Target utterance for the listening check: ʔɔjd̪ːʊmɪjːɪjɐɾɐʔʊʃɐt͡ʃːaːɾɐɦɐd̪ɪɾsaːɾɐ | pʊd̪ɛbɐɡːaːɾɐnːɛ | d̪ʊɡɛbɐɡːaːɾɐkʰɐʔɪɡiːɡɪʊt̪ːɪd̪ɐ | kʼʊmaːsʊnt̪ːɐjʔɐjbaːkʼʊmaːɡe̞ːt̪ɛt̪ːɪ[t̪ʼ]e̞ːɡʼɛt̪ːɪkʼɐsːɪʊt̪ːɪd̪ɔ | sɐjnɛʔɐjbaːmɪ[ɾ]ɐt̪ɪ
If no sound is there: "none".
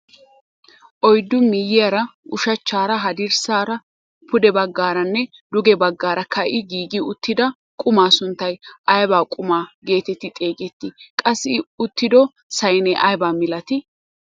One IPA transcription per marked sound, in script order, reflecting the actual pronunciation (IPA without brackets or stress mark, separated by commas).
t̪ʼ, l